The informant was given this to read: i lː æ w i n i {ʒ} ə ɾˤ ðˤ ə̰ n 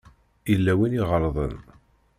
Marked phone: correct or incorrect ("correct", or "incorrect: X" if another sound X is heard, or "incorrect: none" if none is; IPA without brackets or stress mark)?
incorrect: ʁ